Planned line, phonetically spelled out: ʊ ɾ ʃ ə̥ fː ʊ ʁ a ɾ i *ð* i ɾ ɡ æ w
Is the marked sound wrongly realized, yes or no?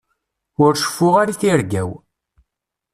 yes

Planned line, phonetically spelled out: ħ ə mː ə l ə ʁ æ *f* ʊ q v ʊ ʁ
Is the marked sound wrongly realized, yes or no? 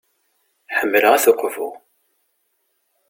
yes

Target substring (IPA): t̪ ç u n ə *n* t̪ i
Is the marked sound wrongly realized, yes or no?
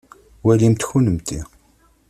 yes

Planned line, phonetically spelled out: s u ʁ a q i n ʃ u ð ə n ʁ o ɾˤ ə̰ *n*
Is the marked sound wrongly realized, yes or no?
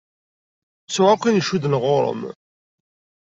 yes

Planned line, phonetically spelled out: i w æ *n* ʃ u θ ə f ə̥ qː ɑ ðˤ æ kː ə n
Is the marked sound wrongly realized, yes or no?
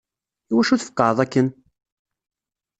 yes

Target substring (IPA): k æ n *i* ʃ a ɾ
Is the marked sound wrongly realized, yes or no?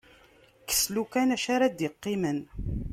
yes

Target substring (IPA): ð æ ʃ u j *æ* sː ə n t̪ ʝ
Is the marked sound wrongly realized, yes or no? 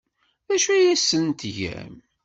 no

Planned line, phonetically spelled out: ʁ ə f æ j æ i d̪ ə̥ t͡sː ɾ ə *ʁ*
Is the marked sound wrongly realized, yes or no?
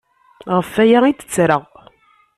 no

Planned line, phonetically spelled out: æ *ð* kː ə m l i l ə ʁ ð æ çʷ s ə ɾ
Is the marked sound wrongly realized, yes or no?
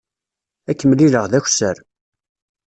yes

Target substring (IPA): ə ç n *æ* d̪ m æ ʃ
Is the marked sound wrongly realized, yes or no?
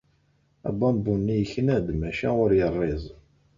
no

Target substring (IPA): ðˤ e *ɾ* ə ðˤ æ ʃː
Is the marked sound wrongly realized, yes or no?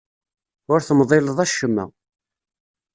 yes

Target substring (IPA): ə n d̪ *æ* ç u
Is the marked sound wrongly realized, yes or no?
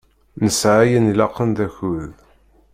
no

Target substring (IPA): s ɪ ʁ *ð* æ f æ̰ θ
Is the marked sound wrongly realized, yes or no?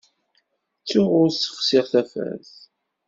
yes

